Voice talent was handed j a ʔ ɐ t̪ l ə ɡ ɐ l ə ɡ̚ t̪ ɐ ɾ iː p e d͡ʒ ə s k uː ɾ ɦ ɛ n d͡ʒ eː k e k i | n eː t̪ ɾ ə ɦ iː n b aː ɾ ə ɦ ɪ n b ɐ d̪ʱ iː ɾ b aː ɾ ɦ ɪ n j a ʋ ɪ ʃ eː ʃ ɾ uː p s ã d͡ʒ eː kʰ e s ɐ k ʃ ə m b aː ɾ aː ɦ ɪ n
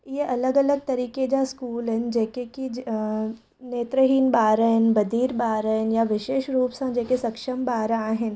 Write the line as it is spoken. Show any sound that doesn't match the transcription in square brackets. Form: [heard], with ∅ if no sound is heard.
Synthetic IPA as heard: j [e] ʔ ɐ [∅] l ə ɡ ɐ l ə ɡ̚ t̪ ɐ ɾ iː [k] e d͡ʒ [a] s k uː [l] ɦ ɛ n d͡ʒ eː k e k i | n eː t̪ ɾ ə ɦ iː n b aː ɾ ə ɦ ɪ n b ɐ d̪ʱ iː ɾ b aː ɾ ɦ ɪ n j a ʋ ɪ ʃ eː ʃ ɾ uː p s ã d͡ʒ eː [k] e s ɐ k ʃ ə m b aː ɾ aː ɦ ɪ n